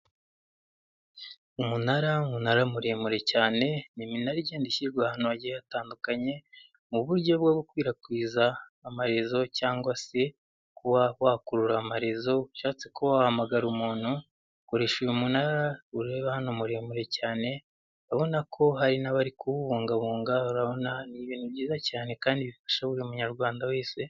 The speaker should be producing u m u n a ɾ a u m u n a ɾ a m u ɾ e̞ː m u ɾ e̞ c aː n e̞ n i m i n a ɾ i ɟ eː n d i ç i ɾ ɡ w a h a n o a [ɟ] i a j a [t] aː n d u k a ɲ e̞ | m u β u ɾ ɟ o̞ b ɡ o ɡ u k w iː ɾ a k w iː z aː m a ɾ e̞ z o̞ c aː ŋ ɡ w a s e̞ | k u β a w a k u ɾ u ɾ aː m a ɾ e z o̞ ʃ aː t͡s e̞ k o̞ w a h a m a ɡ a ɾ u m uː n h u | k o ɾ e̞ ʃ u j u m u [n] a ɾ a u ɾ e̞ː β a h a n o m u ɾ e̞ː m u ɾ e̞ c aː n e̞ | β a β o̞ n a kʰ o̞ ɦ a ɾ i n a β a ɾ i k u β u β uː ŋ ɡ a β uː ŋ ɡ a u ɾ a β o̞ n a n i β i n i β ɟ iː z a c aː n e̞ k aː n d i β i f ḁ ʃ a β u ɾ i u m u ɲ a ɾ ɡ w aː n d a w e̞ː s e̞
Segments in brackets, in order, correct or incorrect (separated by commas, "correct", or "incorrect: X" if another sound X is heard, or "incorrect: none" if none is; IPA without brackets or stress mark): correct, correct, correct